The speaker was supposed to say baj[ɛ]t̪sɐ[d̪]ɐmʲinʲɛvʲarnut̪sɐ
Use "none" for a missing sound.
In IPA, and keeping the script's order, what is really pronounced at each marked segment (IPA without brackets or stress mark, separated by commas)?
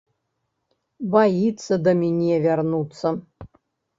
i, d̪